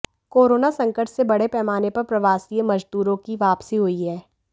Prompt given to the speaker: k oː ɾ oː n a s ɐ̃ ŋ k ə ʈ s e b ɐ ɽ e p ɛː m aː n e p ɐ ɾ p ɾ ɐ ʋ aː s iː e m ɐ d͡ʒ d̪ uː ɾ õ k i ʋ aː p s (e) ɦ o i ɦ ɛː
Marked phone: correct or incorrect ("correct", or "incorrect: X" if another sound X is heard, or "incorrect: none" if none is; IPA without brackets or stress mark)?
incorrect: i